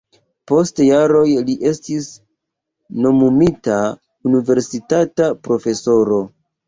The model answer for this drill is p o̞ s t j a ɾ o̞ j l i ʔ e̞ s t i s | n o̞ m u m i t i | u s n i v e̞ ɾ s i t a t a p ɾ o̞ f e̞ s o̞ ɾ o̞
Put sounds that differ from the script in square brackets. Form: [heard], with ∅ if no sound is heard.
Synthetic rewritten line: p o̞ s t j a ɾ o̞ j l i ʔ e̞ s t i s | n o̞ m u m i t [a] | u [∅] n i v e̞ ɾ s i t a t a p ɾ o̞ f e̞ s o̞ ɾ o̞